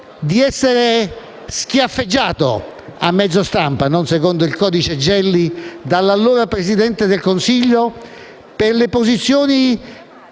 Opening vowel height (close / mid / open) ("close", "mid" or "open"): close